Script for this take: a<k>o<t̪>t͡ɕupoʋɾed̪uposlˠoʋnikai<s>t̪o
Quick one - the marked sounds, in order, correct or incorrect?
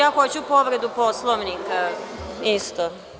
incorrect: x, incorrect: none, correct

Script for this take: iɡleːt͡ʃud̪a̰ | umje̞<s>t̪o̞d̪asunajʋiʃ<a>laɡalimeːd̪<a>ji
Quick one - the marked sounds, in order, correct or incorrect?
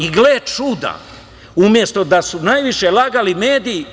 correct, incorrect: e, incorrect: i

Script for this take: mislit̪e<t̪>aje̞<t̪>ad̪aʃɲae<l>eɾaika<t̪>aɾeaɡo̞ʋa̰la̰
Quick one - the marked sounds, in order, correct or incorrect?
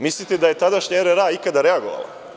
incorrect: d̪, correct, incorrect: ɾ, incorrect: d̪

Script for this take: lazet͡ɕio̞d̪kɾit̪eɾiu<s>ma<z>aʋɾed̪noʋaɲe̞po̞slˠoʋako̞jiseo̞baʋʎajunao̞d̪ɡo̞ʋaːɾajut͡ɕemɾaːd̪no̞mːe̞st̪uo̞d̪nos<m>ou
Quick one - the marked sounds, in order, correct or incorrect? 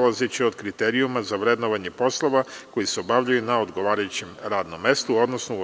incorrect: none, correct, incorrect: n

